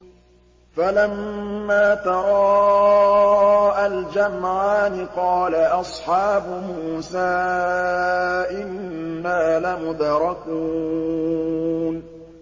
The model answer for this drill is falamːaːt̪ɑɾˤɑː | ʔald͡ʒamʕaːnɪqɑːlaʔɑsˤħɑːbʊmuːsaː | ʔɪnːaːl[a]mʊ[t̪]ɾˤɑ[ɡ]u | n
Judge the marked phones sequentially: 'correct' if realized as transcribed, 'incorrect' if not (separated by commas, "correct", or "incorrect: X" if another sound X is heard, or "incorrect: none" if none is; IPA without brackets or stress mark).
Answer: correct, incorrect: d̪, incorrect: k